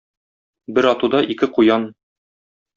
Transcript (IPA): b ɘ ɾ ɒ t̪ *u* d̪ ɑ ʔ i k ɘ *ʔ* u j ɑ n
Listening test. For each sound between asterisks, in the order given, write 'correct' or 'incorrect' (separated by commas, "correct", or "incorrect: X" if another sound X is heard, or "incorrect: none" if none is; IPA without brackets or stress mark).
correct, incorrect: q